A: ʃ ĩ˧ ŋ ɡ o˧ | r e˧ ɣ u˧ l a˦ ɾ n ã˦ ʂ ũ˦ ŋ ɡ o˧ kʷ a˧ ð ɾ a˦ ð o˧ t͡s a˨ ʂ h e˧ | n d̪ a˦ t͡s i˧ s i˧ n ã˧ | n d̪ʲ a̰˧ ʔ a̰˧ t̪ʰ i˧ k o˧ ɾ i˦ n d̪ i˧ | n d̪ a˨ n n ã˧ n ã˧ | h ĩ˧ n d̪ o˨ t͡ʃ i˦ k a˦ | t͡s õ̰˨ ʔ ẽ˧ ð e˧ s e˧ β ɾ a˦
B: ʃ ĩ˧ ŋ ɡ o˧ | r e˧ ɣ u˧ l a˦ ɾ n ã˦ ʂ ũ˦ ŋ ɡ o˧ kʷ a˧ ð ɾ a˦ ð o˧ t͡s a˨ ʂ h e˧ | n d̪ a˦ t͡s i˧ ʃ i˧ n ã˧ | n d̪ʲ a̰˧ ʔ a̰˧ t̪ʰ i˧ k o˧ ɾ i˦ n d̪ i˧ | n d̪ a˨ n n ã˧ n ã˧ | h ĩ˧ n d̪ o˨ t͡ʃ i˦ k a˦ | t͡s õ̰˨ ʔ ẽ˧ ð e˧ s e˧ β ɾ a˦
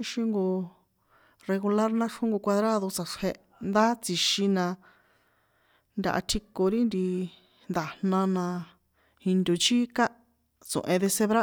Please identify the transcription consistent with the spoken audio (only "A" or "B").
B